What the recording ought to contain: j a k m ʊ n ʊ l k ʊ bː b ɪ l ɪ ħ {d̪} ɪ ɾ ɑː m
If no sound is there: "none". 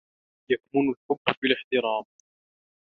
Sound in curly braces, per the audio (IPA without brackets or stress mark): t̪